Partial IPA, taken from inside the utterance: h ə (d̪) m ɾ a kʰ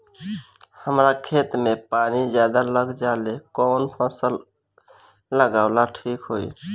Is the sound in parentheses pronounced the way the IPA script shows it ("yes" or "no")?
no